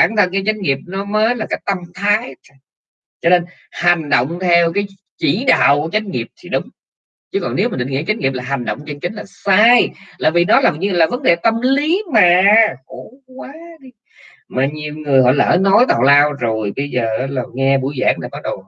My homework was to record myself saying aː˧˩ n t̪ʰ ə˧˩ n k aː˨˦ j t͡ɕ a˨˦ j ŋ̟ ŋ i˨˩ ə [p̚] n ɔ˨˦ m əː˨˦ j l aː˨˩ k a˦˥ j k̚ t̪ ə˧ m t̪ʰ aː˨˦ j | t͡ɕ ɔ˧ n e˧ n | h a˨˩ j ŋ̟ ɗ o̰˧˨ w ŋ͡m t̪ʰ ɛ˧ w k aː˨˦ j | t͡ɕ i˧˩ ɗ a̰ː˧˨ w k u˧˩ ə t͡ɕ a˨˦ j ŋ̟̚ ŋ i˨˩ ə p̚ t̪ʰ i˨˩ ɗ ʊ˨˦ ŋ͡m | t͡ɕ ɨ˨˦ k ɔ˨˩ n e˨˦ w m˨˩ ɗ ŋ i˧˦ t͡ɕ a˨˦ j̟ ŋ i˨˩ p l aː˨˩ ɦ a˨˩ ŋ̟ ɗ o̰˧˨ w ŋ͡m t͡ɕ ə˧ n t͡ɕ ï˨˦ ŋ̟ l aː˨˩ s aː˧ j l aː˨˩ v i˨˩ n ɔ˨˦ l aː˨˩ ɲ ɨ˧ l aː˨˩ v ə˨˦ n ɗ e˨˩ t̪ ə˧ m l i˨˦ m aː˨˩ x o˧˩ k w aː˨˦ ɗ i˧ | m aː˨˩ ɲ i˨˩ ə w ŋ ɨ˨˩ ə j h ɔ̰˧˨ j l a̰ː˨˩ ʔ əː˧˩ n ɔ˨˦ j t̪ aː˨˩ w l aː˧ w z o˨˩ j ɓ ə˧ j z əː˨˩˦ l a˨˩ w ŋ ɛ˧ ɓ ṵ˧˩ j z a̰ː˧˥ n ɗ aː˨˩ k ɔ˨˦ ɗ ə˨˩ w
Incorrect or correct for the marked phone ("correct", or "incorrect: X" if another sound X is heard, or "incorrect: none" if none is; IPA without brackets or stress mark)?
correct